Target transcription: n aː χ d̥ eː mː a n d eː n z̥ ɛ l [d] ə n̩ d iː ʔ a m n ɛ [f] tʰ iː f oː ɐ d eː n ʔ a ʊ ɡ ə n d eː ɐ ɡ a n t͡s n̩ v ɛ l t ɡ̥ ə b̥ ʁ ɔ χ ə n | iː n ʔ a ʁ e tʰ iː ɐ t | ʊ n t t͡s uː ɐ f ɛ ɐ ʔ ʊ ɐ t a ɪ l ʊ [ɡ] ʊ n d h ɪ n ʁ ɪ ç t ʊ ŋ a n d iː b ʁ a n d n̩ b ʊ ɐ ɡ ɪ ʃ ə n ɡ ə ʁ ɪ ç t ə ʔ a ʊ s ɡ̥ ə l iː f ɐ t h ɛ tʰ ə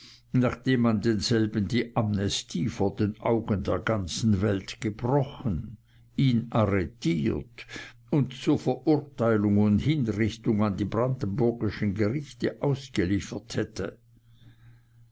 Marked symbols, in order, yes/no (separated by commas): no, no, no